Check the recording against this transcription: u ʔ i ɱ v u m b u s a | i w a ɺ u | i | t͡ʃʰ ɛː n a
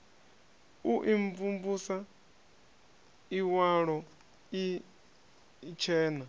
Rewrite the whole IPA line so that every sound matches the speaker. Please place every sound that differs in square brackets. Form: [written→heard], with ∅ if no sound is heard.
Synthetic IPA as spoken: u ʔ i ɱ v u m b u s a | i w a ɺ [u→ɔ] | i | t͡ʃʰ ɛː n a